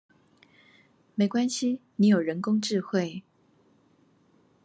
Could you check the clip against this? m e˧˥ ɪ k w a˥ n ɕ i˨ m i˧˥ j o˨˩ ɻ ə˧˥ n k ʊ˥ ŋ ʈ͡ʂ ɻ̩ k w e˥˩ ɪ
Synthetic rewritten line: m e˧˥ ɪ k w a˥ n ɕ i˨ n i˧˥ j o˨˩ ɻ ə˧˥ n k ʊ˥ ŋ ʈ͡ʂ ɻ̩ x w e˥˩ ɪ

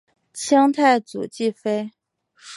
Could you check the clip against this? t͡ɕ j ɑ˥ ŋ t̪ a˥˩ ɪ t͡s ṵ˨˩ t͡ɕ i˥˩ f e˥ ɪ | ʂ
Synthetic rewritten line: t͡ɕʰ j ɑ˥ ŋ t̪ʰ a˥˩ ɪ t͡s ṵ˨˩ t͡ɕ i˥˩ f e˥ ɪ | ʂ

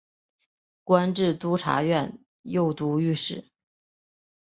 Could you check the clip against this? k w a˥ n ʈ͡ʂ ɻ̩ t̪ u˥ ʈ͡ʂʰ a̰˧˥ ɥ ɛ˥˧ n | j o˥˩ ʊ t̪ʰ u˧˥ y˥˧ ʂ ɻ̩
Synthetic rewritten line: k w a˥ n ʈ͡ʂ ɻ̩ t̪ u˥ ʈ͡ʂʰ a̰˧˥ ɥ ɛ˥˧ n | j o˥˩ ʊ t̪ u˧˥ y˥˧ ʂ ɻ̩

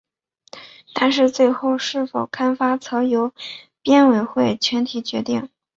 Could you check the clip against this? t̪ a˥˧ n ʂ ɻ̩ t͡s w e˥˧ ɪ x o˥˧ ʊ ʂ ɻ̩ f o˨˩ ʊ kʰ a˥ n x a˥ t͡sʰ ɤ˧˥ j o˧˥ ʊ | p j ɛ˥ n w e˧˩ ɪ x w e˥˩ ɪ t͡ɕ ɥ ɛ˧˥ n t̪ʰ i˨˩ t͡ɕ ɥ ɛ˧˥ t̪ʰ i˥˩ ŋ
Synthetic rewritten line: t̪ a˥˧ n ʂ ɻ̩ t͡s w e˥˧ ɪ x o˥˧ ʊ ʂ ɻ̩ f o˨˩ ʊ kʰ a˥ n f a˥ t͡sʰ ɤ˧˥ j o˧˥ ʊ | p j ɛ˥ n w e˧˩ ɪ x w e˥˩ ɪ t͡ɕʰ ɥ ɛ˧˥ n t̪ʰ i˨˩ t͡ɕ ɥ ɛ˧˥ t̪ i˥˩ ŋ

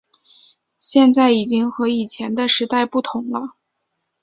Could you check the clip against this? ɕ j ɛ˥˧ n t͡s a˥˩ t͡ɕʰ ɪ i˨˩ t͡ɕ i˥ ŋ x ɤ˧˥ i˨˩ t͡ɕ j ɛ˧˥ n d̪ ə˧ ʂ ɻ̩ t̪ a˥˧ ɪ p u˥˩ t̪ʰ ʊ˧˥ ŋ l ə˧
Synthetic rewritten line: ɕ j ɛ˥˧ n t͡s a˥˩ ɪ i˨˩ t͡ɕ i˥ ŋ x ɤ˧˥ i˨˩ t͡ɕʰ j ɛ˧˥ n d̪ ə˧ ʂ ɻ̩ t̪ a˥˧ ɪ p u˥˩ t̪ʰ ʊ˧˥ ŋ l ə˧

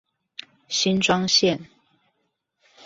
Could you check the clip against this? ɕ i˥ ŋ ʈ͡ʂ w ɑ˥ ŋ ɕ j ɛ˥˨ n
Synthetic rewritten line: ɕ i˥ n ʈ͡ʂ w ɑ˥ ŋ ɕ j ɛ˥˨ n

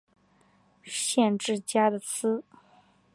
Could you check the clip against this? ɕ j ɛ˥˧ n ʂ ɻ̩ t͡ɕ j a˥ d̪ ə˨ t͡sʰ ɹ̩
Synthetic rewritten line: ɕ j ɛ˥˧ n ʈ͡ʂ ɻ̩ t͡ɕ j a˥ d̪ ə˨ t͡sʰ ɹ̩

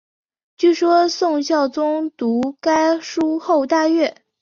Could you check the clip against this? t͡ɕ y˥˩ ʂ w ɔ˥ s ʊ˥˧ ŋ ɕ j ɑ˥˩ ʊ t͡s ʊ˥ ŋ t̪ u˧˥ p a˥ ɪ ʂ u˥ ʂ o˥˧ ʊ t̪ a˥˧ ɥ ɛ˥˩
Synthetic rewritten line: t͡ɕ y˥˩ ʂ w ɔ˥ s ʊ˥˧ ŋ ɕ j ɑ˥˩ ʊ t͡s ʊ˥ ŋ t̪ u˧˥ k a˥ ɪ ʂ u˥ x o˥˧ ʊ t̪ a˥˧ ɥ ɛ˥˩

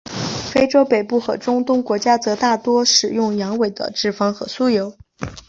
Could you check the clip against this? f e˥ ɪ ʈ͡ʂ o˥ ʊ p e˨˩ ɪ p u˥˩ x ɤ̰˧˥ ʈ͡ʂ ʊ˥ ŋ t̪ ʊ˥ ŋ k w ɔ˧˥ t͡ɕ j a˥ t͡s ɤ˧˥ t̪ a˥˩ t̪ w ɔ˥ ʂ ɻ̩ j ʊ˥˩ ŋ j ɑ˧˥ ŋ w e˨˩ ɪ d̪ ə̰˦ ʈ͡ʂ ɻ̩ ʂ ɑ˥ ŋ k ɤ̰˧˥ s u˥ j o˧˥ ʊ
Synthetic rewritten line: f e˥ ɪ ʈ͡ʂ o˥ ʊ p e˨˩ ɪ p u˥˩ x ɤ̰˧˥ ʈ͡ʂ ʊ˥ ŋ t̪ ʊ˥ ŋ k w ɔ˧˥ t͡ɕ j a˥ t͡s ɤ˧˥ t̪ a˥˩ t̪ w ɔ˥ ʂ ɻ̩ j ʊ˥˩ ŋ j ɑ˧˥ ŋ w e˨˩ ɪ d̪ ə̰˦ ʈ͡ʂ ɻ̩ f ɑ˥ ŋ x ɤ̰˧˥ s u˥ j o˧˥ ʊ

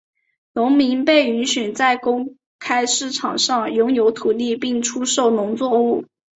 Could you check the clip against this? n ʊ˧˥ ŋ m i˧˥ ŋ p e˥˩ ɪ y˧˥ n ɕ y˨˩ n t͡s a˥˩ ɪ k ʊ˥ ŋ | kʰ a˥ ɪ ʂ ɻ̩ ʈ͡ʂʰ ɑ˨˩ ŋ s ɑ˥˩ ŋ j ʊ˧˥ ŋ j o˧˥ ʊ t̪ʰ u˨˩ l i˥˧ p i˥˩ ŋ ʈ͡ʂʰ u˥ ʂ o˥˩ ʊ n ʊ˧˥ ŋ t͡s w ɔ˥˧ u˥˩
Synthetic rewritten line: n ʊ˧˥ ŋ m i˧˥ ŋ p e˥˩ ɪ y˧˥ n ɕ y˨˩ n t͡s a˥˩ ɪ k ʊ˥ ŋ | kʰ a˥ ɪ ʂ ɻ̩ ʈ͡ʂʰ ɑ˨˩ ŋ ʂ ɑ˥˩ ŋ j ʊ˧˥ ŋ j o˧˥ ʊ t̪ʰ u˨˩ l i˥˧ p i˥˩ ŋ ʈ͡ʂʰ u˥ ʂ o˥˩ ʊ n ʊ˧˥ ŋ t͡s w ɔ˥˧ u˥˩

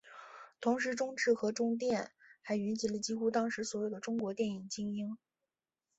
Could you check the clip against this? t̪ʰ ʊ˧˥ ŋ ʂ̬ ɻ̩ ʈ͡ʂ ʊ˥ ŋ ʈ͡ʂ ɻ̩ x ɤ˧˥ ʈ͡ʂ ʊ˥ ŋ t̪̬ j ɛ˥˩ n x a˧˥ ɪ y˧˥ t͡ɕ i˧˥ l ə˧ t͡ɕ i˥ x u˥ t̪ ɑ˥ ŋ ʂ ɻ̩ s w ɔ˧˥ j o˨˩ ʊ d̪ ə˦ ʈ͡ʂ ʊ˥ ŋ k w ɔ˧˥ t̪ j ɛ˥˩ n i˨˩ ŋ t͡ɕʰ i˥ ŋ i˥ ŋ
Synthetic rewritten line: t̪ʰ ʊ˧˥ ŋ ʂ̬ ɻ̩ ʈ͡ʂ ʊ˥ ŋ ʈ͡ʂ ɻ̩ x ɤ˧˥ ʈ͡ʂ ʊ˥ ŋ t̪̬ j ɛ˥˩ n x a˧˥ ɪ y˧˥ t͡ɕ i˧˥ l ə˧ t͡ɕ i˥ x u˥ t̪ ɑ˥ ŋ ʂ ɻ̩ s w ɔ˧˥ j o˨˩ ʊ d̪ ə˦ ʈ͡ʂ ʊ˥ ŋ k w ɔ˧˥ t̪ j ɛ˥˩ n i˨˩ ŋ t͡ɕ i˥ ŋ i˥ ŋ

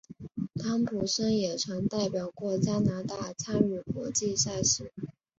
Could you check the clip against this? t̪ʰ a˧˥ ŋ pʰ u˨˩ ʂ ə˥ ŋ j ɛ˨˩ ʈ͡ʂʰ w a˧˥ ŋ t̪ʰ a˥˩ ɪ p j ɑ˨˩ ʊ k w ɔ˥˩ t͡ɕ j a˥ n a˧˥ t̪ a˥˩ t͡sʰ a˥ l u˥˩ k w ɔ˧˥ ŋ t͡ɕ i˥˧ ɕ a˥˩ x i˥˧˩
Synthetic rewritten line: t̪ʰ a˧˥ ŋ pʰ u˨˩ ʂ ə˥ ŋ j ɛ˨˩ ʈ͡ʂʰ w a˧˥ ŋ t̪ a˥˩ ɪ p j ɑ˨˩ ʊ k w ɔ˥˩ t͡ɕ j a˥ n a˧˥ t̪ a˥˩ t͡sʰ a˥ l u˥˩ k w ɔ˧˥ t͡ɕ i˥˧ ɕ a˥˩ ɕ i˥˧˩

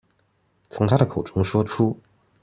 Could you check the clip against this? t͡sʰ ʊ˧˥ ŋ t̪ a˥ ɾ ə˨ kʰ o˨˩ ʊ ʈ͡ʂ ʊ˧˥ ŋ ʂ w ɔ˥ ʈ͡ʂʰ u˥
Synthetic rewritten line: t͡sʰ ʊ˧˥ ŋ t̪ʰ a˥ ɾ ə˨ kʰ o˨˩ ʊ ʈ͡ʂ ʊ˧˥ ŋ ʂ w ɔ˥ ʈ͡ʂʰ u˥

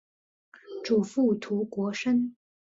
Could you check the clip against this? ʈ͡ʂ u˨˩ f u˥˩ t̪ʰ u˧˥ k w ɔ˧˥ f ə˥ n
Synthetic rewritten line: ʈ͡ʂ u˨˩ f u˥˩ t̪ʰ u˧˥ k w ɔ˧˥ ʂ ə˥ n

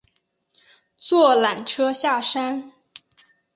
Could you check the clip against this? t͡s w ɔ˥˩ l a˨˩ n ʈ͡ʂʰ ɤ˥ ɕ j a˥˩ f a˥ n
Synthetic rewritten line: t͡s w ɔ˥˩ l a˨˩ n ʈ͡ʂʰ ɤ˥ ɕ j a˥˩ ʂ a˥ n

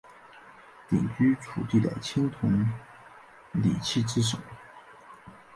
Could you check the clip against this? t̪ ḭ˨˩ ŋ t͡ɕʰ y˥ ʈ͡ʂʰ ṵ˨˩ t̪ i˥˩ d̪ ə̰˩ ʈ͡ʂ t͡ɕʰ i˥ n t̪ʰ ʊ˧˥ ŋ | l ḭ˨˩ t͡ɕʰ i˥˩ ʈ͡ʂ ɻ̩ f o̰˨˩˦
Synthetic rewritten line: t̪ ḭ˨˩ ŋ t͡ɕ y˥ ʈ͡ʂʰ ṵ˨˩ t̪ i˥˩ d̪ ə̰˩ t͡ɕʰ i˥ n t̪ʰ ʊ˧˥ ŋ | l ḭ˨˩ t͡ɕʰ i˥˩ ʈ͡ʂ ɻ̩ ʂ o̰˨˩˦

